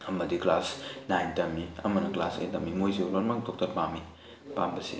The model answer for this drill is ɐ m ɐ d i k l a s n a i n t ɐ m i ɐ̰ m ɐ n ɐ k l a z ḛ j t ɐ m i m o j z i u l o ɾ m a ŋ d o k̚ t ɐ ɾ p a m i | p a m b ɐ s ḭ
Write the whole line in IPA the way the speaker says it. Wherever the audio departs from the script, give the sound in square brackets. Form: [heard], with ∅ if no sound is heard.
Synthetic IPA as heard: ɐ m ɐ d i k l a s n a [j] n t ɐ m i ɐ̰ m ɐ n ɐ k l a [s] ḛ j t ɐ m i m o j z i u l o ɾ m a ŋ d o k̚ t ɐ ɾ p a m i | p a m b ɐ s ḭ